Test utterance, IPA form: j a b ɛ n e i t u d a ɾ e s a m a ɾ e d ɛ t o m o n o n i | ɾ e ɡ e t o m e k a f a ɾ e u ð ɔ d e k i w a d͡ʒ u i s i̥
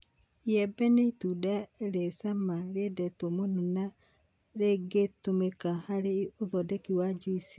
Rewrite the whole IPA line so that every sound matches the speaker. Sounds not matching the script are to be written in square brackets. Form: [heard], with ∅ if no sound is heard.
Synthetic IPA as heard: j [ɛ] b ɛ n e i t u d a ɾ e s a m a ɾ e d ɛ t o m o n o n [a] | ɾ e ɡ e t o m e k a [h] a ɾ e [o] ð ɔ d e k i w a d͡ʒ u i s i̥